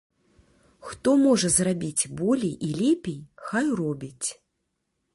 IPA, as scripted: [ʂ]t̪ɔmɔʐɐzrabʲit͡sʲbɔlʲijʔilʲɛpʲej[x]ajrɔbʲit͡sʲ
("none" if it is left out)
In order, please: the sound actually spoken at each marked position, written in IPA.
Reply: x, x

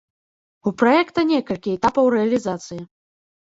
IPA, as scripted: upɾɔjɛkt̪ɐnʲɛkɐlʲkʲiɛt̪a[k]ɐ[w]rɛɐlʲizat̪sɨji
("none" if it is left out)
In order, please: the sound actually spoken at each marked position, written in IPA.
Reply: p, w

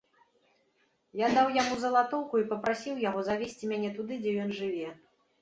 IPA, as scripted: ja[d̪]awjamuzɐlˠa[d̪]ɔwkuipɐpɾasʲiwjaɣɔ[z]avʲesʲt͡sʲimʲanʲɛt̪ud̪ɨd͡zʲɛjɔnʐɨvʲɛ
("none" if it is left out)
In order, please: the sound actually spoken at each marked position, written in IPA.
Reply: d̪, t̪, z

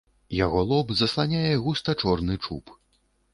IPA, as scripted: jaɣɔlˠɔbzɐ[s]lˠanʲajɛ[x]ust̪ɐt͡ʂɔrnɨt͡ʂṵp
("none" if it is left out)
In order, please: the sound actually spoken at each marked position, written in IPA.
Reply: s, ɣ

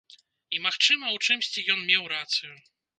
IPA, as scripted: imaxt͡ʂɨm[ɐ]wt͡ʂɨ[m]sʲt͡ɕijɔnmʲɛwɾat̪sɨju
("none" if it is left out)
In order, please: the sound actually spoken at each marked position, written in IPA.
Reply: ɐ, m

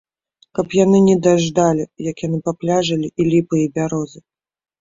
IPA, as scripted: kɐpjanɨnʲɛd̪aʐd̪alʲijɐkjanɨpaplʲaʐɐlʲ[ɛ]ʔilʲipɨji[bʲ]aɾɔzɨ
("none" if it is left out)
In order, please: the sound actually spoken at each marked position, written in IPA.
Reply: i, bʲ

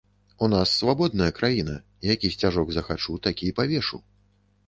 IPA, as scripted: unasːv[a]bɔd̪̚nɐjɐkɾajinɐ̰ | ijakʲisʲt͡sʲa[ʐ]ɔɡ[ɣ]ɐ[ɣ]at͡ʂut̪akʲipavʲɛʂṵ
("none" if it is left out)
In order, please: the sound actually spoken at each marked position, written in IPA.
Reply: a, ʐ, z, x

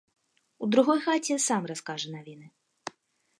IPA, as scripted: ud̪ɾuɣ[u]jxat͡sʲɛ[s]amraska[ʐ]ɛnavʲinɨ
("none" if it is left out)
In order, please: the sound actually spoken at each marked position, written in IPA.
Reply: ɔ, s, ʐ

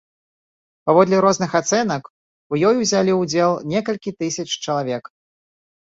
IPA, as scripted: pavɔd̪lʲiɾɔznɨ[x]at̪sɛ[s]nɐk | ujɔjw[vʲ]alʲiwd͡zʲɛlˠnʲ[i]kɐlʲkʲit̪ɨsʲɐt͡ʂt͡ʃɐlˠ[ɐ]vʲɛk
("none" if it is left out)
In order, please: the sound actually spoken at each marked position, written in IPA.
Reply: x, none, zʲ, ɛ, a

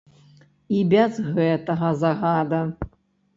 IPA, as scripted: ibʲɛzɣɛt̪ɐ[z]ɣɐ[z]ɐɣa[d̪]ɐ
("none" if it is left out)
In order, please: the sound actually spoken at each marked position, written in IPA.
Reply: none, z, d̪

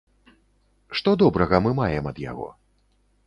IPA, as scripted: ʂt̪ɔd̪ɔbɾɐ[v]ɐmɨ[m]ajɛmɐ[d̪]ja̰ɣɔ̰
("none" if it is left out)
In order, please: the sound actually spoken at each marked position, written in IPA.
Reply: ɣ, m, d̪

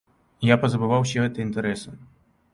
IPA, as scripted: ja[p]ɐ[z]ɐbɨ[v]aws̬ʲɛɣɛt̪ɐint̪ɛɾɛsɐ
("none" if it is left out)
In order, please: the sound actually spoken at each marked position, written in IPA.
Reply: p, z, v

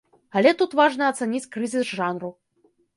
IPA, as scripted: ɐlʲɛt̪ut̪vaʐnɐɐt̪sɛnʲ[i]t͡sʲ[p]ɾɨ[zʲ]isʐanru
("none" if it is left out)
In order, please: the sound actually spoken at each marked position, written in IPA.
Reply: i, k, zʲ

